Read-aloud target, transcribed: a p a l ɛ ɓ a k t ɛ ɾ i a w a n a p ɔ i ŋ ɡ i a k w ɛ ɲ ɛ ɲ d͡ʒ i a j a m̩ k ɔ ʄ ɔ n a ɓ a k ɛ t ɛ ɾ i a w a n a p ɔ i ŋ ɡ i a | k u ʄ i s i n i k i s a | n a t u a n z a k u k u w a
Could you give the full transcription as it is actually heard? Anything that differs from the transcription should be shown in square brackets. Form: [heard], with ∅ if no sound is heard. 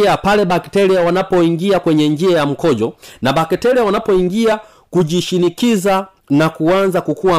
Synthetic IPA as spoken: a p a l ɛ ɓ a k t ɛ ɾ i a w a n a p ɔ i ŋ ɡ i a k w ɛ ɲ ɛ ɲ d͡ʒ i a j a m̩ k ɔ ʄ ɔ n a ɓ a k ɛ t ɛ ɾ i a w a n a p ɔ i ŋ ɡ i a | k u ʄ i [ʃ] i n i k i [z] a | n a [k] u a n z a k u k u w a